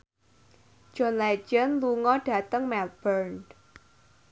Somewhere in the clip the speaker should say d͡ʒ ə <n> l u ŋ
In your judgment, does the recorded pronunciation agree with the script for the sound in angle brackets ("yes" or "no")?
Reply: yes